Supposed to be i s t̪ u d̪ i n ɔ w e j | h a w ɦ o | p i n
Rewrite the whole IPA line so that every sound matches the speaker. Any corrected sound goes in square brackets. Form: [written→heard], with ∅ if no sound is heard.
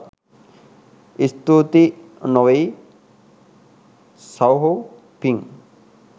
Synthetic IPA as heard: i s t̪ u [d̪→t̪] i n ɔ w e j | [h→s] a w ɦ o | p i [n→ŋ]